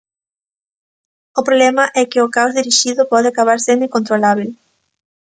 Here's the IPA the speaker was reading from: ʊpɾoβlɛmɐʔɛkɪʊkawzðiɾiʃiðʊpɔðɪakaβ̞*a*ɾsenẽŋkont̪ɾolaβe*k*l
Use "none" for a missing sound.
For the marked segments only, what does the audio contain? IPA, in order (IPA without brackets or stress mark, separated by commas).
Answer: a, none